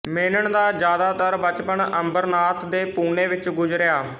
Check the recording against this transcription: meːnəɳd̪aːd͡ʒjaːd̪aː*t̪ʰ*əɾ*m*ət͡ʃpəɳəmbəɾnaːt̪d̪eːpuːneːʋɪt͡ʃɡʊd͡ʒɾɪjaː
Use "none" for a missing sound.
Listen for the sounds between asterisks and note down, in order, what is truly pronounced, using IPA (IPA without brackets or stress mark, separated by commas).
t̪, b